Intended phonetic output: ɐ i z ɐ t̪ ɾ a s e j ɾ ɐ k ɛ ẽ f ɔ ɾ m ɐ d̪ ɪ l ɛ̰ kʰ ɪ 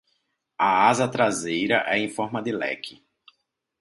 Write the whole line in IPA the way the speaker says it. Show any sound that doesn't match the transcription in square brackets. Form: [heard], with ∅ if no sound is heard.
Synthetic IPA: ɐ [a] z ɐ t̪ ɾ a [z] e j ɾ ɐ [ʔ] ɛ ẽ f ɔ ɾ m ɐ d̪ ɪ l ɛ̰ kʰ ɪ